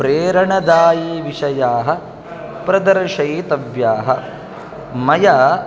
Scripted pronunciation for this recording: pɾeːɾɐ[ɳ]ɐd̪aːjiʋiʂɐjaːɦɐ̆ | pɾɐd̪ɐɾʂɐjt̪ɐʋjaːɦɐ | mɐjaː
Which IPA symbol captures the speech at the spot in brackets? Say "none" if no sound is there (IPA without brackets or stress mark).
ɳ